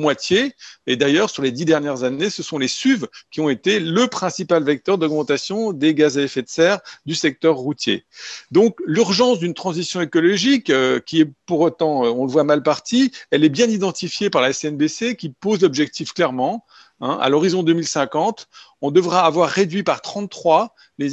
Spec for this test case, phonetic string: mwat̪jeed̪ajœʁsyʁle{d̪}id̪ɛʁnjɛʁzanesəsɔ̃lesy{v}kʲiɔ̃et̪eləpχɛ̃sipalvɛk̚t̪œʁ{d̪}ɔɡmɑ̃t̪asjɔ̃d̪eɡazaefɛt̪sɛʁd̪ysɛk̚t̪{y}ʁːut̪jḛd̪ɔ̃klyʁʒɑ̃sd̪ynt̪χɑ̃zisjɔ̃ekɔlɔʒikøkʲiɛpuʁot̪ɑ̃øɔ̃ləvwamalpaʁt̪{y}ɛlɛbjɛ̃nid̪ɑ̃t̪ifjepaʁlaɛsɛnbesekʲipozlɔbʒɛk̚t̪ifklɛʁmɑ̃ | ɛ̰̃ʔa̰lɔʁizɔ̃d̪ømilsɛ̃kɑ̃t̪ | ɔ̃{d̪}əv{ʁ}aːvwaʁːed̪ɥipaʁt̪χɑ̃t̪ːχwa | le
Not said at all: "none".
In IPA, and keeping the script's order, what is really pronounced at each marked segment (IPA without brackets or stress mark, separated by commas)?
d̪, v, d̪, œ, i, d̪, ʁ